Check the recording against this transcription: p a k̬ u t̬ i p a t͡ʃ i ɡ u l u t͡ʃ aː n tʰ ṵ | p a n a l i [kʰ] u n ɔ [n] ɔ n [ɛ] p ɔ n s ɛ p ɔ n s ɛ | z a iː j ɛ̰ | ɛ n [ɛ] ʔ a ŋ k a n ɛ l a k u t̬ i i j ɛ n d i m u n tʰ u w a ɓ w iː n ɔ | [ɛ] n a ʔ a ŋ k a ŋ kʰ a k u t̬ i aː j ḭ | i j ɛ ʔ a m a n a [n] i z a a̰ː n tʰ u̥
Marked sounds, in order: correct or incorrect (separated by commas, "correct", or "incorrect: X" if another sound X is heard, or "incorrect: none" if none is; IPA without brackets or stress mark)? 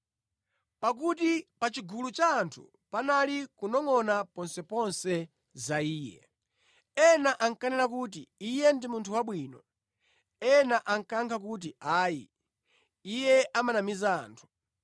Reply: incorrect: k, incorrect: ŋ, incorrect: a, incorrect: a, correct, incorrect: m